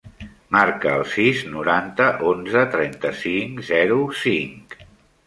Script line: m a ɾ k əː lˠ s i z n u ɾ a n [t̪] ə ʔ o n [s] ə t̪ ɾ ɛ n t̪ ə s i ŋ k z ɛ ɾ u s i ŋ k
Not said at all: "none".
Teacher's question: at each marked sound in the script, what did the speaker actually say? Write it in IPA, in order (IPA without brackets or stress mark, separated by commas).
t̪, z